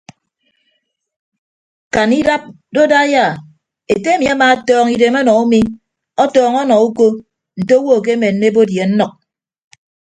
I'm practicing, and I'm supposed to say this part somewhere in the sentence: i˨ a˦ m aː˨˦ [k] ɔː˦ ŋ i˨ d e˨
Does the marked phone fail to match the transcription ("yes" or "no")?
yes